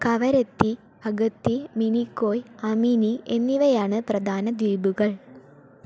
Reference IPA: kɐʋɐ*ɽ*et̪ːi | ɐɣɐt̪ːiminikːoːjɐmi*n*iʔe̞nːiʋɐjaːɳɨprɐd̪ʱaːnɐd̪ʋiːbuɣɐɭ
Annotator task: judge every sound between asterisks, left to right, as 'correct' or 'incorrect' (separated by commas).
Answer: incorrect, correct